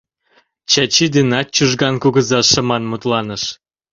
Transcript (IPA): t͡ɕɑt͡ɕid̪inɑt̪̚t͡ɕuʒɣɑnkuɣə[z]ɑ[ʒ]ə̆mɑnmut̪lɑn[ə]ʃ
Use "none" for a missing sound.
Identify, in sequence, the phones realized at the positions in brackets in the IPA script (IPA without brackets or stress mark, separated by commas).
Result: z, ʃ, ə